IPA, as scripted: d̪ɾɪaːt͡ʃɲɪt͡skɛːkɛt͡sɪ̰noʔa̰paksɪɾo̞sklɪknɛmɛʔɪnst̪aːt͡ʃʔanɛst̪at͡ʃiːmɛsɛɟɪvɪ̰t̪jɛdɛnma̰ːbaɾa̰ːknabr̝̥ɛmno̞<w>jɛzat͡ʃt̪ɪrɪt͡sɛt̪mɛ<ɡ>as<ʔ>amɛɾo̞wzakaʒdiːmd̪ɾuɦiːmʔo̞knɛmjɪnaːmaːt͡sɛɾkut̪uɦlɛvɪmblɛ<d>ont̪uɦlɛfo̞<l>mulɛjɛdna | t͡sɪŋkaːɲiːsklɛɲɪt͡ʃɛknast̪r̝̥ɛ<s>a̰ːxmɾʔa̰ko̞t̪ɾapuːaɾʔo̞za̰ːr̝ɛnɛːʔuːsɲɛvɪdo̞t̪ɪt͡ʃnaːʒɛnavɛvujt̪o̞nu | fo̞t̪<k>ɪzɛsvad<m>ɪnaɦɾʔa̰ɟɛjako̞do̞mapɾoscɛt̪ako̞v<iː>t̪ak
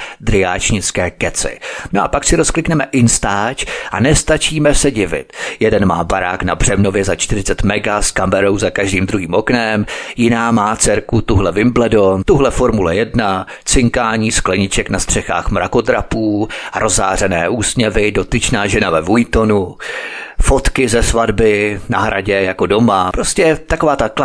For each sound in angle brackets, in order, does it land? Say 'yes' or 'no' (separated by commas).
no, yes, no, yes, no, no, yes, no, no